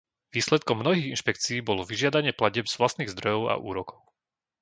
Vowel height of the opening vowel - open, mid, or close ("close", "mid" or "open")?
close